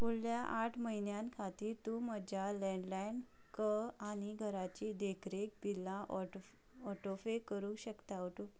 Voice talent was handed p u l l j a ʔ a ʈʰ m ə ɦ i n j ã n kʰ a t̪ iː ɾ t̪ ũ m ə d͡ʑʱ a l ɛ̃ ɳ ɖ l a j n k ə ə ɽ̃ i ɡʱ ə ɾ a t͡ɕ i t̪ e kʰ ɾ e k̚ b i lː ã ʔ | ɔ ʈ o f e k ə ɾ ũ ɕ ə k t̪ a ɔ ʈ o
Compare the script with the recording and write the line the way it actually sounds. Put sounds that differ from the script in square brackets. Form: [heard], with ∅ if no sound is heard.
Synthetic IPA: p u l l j a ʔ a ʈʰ m ə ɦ i n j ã n kʰ a t̪ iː ɾ t̪ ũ m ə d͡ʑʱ a l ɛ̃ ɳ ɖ l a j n k ə [a] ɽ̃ i ɡʱ ə ɾ a t͡ɕ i [d̪] e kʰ ɾ e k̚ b i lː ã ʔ | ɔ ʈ o f e k ə ɾ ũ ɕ ə k t̪ a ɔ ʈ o